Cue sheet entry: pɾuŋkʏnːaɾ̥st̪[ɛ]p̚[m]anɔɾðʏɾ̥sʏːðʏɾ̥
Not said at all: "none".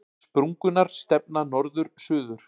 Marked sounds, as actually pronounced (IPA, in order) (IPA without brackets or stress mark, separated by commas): ɛ, n